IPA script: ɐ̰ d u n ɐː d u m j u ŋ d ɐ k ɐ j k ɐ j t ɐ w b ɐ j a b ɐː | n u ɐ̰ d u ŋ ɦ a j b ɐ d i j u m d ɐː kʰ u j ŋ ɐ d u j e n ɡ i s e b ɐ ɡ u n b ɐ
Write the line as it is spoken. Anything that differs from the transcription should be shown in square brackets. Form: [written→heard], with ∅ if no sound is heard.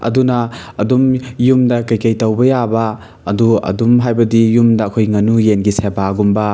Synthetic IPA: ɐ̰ d u n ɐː d u m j u [ŋ→m] d ɐ k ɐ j k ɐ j t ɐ w b ɐ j a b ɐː | [n→d] u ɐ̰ d u [ŋ→m] ɦ a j b ɐ d i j u m d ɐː kʰ [u→o] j ŋ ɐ [d→n] u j e n ɡ i s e b [ɐ→a] ɡ u [n→m] b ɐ